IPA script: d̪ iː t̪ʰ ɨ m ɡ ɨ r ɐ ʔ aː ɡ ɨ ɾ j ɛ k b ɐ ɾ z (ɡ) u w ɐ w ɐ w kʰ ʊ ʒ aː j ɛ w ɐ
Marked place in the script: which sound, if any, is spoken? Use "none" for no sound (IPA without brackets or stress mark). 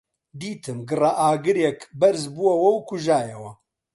b